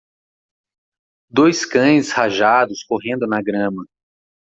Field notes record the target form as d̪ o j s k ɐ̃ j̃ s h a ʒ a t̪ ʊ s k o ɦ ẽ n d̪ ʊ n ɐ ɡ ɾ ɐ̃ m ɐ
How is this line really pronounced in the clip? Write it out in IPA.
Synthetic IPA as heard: d̪ o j s k ɐ̃ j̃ s h a ʒ a d̪ ʊ s k o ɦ ẽ n d̪ ʊ n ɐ ɡ ɾ ɐ̃ m ɐ